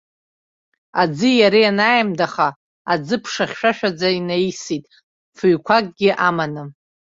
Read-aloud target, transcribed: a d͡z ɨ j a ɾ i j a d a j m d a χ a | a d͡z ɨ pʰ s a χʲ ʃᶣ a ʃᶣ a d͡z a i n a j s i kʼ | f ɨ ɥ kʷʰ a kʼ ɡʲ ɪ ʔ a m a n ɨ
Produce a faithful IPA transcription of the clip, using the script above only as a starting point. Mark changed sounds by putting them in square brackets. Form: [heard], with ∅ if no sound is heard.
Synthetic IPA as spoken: a d͡z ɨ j a ɾ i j a [n] a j m d a χ a | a d͡z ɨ pʰ [ʂ] a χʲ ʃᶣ a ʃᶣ a d͡z a i n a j s i [tʼ] | f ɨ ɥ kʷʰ a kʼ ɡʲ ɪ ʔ a m a n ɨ